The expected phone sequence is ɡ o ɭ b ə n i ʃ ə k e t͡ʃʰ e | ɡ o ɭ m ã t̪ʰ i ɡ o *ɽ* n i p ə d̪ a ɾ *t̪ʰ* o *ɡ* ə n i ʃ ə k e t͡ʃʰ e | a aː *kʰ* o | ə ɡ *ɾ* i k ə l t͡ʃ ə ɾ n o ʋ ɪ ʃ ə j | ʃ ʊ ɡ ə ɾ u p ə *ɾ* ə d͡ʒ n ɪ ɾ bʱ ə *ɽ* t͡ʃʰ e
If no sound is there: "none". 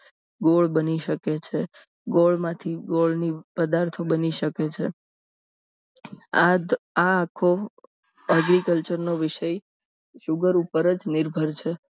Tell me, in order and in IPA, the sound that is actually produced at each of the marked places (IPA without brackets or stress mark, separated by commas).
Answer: ɭ, t̪ʰ, b, kʰ, ɾ, ɾ, ɾ